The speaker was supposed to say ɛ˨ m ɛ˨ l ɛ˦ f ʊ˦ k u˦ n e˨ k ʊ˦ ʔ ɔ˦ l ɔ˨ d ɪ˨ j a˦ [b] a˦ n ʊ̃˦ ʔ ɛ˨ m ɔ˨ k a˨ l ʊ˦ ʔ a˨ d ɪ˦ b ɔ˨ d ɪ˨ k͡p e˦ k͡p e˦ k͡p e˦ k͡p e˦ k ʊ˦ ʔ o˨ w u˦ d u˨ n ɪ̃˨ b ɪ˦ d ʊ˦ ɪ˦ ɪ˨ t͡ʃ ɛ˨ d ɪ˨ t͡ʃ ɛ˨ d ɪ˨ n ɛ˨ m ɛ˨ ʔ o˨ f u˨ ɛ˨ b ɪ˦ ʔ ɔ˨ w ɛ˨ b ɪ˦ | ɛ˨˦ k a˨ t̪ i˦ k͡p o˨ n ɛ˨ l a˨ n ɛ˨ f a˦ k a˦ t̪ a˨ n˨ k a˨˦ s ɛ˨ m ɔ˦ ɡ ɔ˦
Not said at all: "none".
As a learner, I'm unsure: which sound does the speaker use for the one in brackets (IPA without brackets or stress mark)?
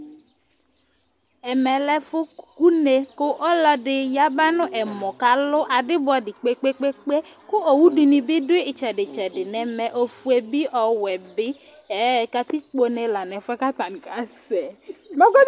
b